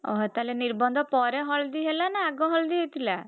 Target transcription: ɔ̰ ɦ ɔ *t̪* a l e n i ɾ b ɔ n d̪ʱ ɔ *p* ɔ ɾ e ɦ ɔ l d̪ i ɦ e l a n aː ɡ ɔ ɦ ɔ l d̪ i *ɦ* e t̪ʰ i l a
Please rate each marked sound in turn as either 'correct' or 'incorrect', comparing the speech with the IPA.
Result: correct, correct, correct

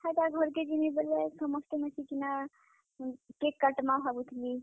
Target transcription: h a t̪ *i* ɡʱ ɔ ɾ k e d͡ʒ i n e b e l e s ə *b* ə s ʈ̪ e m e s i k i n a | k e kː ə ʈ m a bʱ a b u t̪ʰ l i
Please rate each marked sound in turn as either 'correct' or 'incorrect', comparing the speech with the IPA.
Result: incorrect: a, incorrect: m

